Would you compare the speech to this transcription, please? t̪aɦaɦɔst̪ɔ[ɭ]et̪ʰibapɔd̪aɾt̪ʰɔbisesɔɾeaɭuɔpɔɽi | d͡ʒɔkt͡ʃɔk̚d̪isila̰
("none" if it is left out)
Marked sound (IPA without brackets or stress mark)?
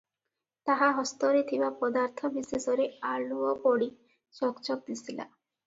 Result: ɾ